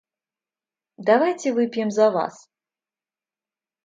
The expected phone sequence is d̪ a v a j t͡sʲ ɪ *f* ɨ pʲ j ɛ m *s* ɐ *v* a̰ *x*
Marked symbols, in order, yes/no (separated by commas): no, no, yes, no